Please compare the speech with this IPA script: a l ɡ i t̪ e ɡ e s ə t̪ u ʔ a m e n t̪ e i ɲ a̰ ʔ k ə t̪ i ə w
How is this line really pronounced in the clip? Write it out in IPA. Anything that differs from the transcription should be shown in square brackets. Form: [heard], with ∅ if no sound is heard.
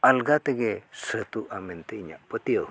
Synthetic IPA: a l ɡ [a] t̪ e ɡ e s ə t̪ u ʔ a m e n t̪ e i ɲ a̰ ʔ [p] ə t̪ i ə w